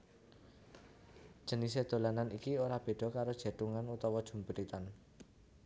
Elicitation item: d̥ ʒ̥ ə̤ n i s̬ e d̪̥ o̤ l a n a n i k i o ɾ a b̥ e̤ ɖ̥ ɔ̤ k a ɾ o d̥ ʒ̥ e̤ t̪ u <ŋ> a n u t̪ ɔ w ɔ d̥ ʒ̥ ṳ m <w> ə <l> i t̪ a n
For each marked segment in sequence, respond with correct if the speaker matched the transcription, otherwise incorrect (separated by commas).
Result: correct, incorrect, incorrect